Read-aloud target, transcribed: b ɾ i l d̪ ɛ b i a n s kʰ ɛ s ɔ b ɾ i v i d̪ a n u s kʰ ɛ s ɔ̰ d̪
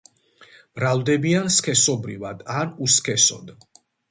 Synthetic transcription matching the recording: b ɾ a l d̪ ɛ b i a n s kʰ ɛ s ɔ b ɾ i v a d̪ a n u s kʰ ɛ s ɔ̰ d̪